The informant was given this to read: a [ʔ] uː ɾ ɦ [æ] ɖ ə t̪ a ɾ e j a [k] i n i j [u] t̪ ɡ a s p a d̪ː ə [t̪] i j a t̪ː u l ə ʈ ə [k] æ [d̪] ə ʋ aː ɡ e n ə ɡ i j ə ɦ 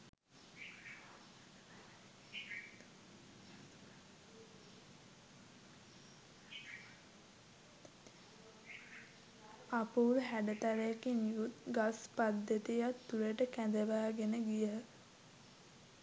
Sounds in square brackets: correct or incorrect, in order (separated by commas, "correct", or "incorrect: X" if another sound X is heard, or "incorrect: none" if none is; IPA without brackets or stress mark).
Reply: incorrect: p, correct, correct, correct, correct, correct, correct